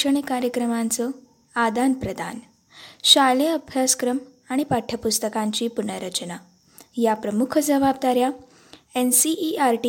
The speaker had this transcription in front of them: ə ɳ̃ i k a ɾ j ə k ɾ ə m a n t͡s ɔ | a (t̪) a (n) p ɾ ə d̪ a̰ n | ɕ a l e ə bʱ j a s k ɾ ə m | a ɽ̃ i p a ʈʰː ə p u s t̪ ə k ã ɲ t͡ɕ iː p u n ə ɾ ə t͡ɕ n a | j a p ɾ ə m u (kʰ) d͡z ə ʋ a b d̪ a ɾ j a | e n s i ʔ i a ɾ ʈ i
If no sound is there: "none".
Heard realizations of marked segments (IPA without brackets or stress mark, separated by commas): d̪, n, kʰ